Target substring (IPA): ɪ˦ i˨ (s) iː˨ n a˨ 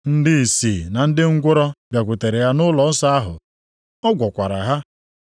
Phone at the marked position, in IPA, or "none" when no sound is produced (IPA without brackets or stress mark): s